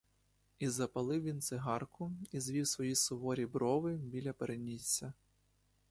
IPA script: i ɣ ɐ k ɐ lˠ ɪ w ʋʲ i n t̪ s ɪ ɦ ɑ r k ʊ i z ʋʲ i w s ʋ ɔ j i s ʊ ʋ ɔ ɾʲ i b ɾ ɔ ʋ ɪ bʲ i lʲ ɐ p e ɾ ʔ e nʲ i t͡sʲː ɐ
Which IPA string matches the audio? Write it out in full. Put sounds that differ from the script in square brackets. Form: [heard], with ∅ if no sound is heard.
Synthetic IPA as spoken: i [z] ɐ [p] ɐ lˠ ɪ w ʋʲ i n t̪ s ɪ ɦ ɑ r k ʊ i z ʋʲ i w s ʋ ɔ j i s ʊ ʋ ɔ ɾʲ i b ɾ ɔ ʋ ɪ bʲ i lʲ ɐ p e ɾ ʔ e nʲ i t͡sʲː ɐ